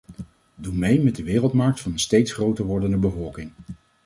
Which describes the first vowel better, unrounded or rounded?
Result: rounded